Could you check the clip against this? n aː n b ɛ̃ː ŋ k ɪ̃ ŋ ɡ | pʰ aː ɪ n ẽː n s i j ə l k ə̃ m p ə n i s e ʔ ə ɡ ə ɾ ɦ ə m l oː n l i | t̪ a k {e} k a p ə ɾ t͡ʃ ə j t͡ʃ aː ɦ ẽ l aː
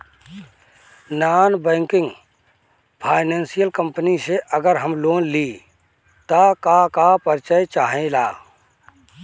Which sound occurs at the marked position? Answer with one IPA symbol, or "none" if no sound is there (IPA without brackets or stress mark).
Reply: a